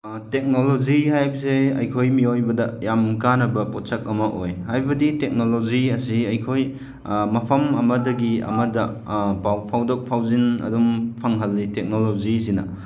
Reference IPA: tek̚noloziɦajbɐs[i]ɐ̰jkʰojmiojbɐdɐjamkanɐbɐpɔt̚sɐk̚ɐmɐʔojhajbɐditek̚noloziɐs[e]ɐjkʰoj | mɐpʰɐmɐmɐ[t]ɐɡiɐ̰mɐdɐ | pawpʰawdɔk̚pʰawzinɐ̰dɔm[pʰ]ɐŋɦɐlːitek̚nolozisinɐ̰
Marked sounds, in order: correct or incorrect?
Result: incorrect, incorrect, incorrect, correct

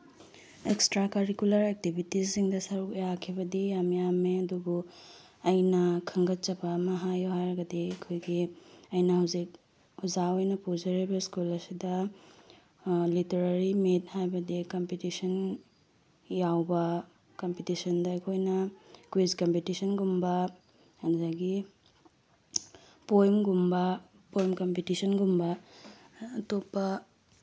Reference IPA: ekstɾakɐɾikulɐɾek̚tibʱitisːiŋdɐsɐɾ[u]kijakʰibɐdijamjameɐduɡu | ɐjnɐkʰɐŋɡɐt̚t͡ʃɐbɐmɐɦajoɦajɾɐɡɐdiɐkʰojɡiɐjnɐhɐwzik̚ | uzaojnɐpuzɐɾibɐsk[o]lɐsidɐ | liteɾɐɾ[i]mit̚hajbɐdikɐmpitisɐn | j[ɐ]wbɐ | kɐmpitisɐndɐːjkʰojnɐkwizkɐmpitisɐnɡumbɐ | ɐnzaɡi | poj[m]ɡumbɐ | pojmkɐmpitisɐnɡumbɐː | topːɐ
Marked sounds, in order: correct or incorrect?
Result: correct, incorrect, correct, incorrect, correct

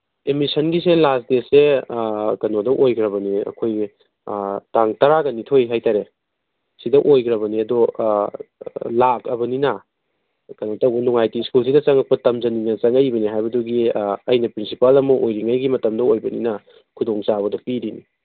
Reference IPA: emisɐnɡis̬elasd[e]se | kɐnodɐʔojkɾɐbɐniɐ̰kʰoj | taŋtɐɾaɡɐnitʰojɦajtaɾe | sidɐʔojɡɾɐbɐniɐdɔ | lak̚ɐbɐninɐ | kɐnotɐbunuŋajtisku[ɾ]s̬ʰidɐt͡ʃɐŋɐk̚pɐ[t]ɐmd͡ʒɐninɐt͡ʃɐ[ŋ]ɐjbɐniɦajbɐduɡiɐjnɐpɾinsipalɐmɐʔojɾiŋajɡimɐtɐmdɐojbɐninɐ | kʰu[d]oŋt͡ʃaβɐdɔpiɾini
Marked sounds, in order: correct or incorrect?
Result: correct, incorrect, correct, correct, correct

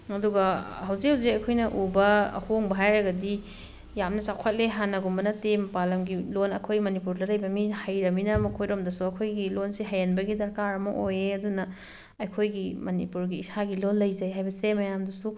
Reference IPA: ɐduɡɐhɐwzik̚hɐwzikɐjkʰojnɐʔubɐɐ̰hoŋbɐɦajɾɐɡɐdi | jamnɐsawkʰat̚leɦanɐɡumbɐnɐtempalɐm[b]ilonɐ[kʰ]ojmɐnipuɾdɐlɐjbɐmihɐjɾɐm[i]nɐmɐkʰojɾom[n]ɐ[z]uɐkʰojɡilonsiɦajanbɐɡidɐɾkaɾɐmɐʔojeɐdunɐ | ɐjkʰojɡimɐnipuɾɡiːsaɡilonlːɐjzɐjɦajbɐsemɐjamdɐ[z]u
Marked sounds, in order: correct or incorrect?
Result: incorrect, correct, correct, incorrect, incorrect, incorrect

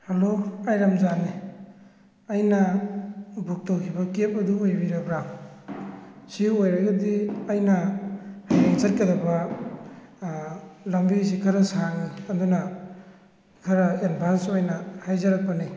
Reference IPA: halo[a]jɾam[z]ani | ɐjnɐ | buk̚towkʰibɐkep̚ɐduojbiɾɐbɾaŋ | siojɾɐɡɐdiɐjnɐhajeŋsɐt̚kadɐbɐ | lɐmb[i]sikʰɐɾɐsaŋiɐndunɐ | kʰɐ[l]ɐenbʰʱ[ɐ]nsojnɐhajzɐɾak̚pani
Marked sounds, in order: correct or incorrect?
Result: correct, correct, correct, incorrect, incorrect

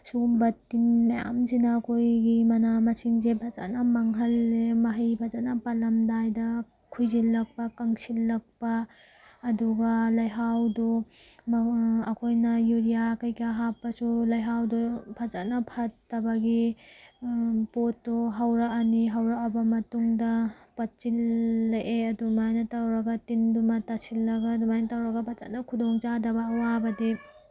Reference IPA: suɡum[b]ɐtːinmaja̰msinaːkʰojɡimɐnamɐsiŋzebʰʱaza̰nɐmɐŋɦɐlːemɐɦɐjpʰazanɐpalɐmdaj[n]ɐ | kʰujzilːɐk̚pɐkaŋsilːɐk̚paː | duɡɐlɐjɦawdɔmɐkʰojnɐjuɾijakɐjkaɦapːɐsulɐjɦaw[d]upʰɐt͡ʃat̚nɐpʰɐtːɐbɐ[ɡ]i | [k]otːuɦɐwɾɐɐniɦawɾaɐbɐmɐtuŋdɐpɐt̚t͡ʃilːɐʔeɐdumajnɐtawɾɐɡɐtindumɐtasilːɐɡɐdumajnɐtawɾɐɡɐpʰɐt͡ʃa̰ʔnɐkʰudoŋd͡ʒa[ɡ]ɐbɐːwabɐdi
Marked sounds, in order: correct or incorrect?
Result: correct, incorrect, correct, correct, incorrect, incorrect

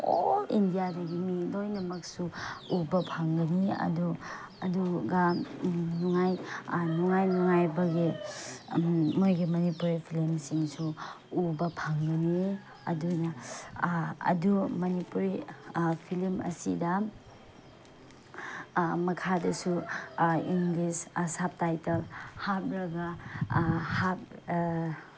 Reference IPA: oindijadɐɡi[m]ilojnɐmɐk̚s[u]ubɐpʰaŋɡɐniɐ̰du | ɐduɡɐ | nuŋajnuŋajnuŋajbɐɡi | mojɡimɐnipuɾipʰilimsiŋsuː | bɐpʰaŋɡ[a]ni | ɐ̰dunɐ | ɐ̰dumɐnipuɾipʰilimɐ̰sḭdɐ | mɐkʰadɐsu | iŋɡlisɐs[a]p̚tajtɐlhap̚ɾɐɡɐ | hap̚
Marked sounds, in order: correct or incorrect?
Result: correct, correct, incorrect, correct

